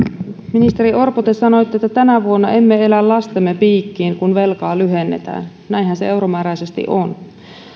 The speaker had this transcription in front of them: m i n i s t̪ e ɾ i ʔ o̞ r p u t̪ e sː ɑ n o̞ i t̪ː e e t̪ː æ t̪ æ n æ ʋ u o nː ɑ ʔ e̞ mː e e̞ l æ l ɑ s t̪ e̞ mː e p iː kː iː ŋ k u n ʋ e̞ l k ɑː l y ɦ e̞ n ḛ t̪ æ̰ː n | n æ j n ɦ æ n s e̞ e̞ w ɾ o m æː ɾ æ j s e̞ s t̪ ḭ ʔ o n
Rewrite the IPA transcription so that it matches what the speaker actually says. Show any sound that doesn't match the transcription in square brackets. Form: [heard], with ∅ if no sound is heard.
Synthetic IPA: m i n i s t̪ e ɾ i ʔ o̞ r p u t̪ e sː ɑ n o̞ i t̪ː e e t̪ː æ t̪ æ n æ ʋ u o nː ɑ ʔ e̞ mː e e̞ l æ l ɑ s t̪ e̞ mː e p iː kː iː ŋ k u n ʋ e̞ l k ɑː l y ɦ e̞ [nː] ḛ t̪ æ̰ː n | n æ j n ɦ æ n s e̞ e̞ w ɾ o m æː ɾ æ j s e̞ s t̪ ḭ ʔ o n